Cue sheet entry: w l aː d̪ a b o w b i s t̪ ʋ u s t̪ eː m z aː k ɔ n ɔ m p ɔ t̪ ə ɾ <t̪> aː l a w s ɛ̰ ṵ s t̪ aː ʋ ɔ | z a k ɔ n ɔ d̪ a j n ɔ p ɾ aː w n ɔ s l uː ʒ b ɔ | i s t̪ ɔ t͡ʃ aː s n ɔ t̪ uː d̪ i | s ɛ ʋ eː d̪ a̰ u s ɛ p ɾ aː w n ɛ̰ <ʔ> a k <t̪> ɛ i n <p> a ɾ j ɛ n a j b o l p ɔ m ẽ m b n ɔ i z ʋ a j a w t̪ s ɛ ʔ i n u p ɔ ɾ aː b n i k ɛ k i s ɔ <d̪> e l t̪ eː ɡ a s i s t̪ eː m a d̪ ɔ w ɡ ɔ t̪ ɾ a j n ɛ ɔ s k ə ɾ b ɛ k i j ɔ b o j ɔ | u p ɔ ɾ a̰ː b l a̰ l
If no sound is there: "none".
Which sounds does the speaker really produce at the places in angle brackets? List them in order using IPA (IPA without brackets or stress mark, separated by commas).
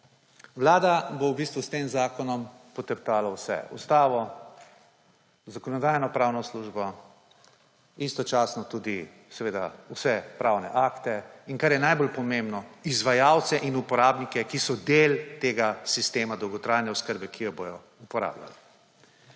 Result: t̪, ʔ, t̪, k, d̪